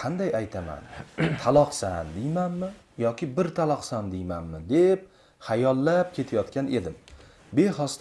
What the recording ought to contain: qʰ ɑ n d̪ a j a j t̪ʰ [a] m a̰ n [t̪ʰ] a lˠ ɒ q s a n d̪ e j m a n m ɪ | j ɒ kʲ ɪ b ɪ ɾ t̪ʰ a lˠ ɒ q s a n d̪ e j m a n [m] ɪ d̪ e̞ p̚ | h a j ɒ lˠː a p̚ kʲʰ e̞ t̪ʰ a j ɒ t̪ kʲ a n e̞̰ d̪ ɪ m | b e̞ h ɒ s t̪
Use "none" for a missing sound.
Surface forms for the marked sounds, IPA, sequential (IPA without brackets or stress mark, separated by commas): a, t̪ʰ, m